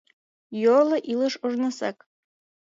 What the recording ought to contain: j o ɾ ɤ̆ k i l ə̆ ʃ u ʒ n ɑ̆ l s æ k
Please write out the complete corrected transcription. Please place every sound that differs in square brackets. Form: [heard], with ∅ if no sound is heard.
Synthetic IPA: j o [l] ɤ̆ [ʔ] i l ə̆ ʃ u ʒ n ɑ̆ [∅] s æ k